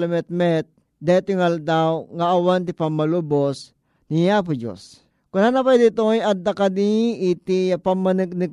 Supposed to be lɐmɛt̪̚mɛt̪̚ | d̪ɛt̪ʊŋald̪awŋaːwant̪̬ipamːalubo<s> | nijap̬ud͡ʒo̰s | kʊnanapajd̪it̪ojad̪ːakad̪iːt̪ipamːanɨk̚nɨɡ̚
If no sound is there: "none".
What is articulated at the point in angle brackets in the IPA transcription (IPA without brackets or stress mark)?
s